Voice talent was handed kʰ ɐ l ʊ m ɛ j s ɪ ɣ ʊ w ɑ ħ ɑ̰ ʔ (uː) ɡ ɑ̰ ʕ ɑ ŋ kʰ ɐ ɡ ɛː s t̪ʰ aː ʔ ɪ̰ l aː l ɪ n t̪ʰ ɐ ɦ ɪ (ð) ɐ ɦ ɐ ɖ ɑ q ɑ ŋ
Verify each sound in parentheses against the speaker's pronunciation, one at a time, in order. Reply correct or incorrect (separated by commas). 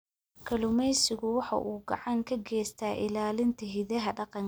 correct, correct